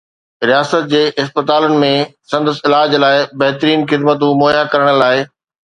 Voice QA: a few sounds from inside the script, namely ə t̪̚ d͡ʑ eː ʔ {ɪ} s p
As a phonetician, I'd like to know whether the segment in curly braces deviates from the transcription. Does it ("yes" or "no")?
no